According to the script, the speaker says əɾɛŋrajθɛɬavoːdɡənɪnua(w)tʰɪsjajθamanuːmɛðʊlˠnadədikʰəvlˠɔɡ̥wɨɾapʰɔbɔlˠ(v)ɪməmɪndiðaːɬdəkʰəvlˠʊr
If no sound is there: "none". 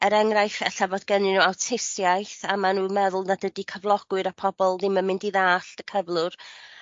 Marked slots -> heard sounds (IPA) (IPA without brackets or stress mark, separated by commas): w, ð